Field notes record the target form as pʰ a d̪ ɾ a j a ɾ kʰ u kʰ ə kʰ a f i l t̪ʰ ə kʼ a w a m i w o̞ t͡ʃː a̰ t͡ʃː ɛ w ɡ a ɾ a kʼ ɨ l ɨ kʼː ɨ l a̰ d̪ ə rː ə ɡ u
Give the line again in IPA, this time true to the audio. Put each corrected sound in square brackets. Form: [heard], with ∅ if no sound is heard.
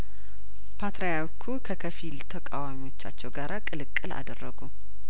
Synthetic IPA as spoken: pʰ a [t̪] ɾ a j a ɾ kʰ u kʰ ə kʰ [ə] f i l t̪ʰ ə kʼ a w a m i w o̞ t͡ʃː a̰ t͡ʃː ɛ w ɡ a ɾ a kʼ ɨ l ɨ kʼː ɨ l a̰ d̪ ə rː ə ɡ u

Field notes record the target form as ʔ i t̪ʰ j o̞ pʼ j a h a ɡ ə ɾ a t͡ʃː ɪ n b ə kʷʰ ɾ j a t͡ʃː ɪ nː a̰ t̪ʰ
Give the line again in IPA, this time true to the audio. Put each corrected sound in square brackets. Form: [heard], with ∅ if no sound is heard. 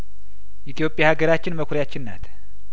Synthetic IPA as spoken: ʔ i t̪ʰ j o̞ pʼ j a h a ɡ ə ɾ a t͡ʃː ɪ n [m] ə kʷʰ ɾ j a t͡ʃː ɪ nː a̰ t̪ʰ

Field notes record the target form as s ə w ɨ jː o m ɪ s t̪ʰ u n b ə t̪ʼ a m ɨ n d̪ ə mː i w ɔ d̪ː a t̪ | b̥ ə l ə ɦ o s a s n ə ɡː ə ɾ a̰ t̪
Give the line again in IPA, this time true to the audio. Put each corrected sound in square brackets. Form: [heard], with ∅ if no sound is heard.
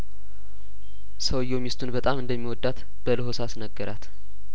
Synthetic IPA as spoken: s ə w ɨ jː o m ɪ s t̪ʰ u n b ə t̪ʼ a m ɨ n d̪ ə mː i w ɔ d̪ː a t̪ | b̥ ə l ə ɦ o s a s n ə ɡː ə ɾ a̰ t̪

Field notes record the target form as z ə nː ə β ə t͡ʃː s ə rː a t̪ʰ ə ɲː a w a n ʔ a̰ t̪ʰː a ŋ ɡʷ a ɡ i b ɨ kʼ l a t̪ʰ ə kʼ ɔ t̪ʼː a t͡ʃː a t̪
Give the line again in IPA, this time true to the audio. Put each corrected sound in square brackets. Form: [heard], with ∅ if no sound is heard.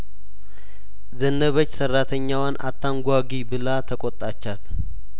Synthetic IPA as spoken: z ə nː ə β ə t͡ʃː s ə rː a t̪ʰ ə ɲː a w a n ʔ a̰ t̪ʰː a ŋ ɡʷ a ɡ i b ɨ [∅] l a t̪ʰ ə kʼ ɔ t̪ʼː a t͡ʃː a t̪

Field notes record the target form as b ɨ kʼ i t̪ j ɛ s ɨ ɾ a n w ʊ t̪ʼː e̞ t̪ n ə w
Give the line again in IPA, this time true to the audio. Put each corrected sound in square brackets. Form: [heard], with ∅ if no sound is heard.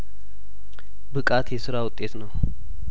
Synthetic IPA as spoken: b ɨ kʼ [a] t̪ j ɛ s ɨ ɾ a [∅] w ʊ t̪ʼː e̞ t̪ n ə w

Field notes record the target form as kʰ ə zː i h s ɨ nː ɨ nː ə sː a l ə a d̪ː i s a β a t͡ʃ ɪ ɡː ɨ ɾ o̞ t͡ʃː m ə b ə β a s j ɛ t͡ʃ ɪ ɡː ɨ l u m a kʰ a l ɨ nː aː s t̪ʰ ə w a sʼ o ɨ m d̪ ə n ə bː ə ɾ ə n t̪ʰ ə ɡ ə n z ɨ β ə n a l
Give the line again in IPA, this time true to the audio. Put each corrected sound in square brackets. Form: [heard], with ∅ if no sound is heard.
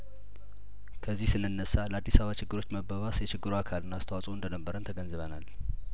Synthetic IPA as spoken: kʰ ə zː i h s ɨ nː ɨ nː ə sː a l ə a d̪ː i s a β a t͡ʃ ɪ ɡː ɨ ɾ o̞ t͡ʃː m ə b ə β a s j ɛ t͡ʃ ɪ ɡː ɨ [ɾ] u [∅] a kʰ a l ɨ nː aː s t̪ʰ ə w a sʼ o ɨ [n] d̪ ə n ə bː ə ɾ ə n t̪ʰ ə ɡ ə n z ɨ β ə n a l

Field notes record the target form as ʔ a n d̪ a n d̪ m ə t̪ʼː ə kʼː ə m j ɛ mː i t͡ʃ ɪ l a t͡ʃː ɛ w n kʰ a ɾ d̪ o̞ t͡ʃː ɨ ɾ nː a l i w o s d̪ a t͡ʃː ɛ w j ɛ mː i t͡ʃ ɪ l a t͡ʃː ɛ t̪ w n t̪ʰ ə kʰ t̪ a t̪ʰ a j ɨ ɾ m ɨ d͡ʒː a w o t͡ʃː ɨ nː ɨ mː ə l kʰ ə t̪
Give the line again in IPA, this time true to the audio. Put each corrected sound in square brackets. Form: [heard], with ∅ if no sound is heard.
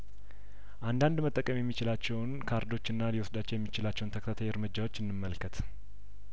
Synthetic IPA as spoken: ʔ a n d̪ a n d̪ m ə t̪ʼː ə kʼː ə m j ɛ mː i t͡ʃ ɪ l a t͡ʃː ɛ w n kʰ a ɾ d̪ o̞ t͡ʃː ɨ [∅] nː a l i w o s d̪ a t͡ʃː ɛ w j ɛ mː i t͡ʃ ɪ l a t͡ʃː ɛ [∅] w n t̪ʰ ə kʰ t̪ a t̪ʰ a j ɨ ɾ m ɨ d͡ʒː a w o t͡ʃː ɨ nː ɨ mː ə l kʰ ə t̪

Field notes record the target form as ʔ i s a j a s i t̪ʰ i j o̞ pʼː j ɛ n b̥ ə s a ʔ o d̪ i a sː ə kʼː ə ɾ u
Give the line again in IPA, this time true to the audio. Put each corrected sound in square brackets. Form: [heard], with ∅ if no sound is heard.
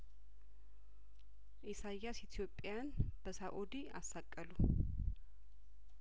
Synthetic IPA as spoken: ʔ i s a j a s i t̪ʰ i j o̞ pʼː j [a] n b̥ ə s a ʔ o d̪ i a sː [a] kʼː ə [l] u

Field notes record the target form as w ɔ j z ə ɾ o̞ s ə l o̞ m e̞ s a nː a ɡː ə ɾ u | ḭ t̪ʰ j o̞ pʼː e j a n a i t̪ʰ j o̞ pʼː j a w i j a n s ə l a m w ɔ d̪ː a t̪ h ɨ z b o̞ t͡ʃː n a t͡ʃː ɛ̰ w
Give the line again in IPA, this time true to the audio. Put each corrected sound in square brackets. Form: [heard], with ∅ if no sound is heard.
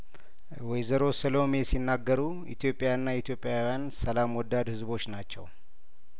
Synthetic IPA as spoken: w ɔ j z ə ɾ o̞ s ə l o̞ m e̞ s [i] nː a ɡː ə ɾ u | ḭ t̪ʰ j o̞ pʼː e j a [nː] a i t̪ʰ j o̞ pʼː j a w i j a n s ə l a m w ɔ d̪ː a [d̪] h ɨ z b o̞ t͡ʃː n a t͡ʃː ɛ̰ w

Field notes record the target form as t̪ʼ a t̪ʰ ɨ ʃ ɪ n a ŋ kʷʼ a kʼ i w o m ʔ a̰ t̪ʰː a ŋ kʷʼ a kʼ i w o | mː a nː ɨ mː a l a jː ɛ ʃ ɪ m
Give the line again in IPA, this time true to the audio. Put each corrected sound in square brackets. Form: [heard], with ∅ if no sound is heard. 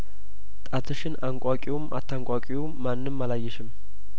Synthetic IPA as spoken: t̪ʼ a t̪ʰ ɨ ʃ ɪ n a ŋ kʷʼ a kʼ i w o m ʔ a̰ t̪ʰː a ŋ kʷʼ a kʼ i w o | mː a nː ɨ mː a l a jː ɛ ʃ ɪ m

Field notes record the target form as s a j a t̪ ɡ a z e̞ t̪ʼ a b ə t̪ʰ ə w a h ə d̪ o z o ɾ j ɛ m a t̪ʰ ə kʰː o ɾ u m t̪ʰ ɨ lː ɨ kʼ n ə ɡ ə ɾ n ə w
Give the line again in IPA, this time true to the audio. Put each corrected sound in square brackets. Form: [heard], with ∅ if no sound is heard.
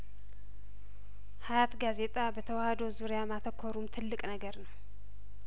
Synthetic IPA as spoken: [h] a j a t̪ ɡ a z e̞ t̪ʼ a b ə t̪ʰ ə w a h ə d̪ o z [u] ɾ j [a] m a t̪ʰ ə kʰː o ɾ u m t̪ʰ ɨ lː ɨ kʼ n ə ɡ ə ɾ n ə w

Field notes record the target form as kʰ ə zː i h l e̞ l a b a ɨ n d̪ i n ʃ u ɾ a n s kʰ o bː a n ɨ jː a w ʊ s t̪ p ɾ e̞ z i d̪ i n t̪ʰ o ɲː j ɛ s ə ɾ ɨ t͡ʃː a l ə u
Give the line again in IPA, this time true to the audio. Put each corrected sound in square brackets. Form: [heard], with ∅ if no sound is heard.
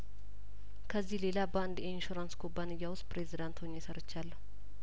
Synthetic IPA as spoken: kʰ ə zː i h l e̞ l a b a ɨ n d̪ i n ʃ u ɾ a n s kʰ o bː a n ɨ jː a w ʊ s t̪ p ɾ e̞ z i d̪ [a] n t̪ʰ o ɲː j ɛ s ə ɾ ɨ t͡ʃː a [lː] ə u

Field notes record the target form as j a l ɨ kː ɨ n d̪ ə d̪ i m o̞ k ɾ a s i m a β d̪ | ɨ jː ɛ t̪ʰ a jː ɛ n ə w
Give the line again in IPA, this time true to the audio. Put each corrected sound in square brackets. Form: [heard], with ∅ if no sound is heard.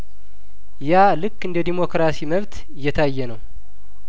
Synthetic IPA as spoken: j a l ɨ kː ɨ n d̪ ə d̪ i m o̞ k ɾ a s i m [ə] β [t̪] | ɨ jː ɛ t̪ʰ a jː ɛ n ə w

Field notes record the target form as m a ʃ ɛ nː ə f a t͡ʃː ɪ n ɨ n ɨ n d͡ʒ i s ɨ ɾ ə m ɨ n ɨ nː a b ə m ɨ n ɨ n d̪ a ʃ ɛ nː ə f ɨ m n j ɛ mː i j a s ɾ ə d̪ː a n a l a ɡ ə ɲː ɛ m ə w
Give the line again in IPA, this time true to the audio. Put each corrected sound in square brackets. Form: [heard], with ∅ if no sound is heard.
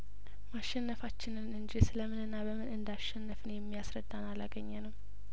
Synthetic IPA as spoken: m a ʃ ɛ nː ə f a t͡ʃː ɪ n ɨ n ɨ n d͡ʒ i s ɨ [l] ə m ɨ n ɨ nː a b ə m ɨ n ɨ n d̪ a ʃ ɛ nː ə f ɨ [∅] n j ɛ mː i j a s ɾ ə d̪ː a n a l a ɡ ə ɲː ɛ [n] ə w

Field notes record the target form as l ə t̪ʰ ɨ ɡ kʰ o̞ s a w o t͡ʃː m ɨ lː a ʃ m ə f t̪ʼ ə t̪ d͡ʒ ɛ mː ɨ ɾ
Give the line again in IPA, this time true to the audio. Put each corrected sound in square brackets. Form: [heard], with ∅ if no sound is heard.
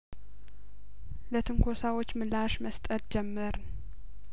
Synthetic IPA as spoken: l ə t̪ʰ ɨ [ŋ] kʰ o̞ s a w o t͡ʃː m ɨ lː a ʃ m ə [s] t̪ʼ ə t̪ d͡ʒ ɛ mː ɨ ɾ

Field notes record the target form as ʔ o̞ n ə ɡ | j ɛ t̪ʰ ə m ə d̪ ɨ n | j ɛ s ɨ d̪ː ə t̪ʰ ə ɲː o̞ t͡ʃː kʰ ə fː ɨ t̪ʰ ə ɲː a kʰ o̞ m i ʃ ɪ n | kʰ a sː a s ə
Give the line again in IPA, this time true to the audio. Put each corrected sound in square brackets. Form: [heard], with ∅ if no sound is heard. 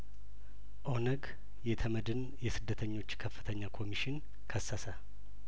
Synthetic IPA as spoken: ʔ o̞ n ə ɡ | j ɛ t̪ʰ ə m ə d̪ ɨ n | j ɛ s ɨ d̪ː ə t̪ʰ ə ɲː o̞ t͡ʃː kʰ ə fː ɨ t̪ʰ ə ɲː a kʰ o̞ m i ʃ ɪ n | kʰ [ə] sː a s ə

